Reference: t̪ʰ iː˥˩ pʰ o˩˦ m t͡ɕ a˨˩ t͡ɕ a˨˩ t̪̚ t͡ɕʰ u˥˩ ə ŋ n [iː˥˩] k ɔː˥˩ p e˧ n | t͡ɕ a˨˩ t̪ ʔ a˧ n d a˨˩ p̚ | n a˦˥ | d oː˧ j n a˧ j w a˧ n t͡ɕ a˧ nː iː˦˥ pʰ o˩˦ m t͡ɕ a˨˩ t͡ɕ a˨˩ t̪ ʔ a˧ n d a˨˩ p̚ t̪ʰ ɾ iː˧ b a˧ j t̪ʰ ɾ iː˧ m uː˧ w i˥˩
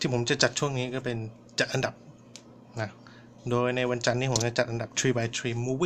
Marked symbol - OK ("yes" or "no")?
no